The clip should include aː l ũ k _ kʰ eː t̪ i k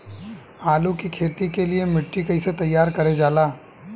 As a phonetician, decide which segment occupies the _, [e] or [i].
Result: i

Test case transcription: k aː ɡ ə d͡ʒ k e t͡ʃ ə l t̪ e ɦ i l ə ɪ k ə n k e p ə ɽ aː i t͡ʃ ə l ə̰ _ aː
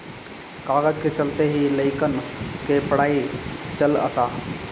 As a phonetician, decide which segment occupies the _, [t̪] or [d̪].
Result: t̪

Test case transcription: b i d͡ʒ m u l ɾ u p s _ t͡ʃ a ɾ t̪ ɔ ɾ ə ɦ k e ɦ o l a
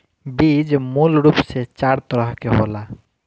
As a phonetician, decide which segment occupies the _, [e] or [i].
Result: e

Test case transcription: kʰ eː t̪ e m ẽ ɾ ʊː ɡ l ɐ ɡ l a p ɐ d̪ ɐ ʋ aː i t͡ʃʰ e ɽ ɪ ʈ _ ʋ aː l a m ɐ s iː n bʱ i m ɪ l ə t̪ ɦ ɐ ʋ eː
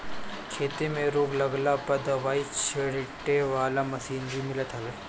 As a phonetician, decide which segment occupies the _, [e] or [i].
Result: e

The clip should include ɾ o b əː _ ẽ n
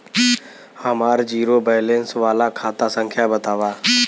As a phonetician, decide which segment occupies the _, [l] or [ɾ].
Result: l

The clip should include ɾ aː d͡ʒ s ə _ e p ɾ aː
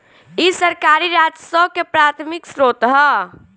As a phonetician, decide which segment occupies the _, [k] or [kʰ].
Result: k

